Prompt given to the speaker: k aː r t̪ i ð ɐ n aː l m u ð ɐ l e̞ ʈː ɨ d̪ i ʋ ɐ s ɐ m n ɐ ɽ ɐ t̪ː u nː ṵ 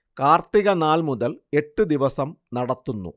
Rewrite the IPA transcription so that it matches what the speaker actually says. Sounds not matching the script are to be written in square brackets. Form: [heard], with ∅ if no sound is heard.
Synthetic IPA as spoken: k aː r t̪ i [ɣ] ɐ n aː l m u ð ɐ l e̞ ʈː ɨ d̪ i ʋ ɐ s ɐ m n ɐ ɽ ɐ t̪ː u nː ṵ